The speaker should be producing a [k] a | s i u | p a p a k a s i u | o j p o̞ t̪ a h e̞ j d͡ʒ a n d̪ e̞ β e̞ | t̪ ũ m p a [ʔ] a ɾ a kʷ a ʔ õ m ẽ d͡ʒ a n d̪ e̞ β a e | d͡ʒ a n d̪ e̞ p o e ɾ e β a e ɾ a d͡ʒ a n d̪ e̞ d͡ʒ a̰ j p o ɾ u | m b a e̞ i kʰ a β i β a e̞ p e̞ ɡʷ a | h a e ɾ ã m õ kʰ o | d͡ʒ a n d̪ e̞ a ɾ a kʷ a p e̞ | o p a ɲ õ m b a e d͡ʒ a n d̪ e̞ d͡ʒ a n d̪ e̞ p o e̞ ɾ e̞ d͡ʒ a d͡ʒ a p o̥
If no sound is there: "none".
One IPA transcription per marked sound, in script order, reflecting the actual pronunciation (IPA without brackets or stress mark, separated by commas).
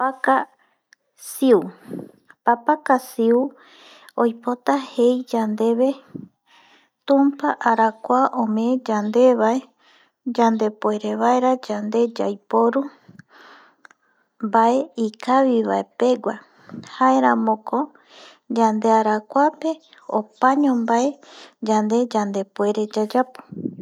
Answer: k, ʔ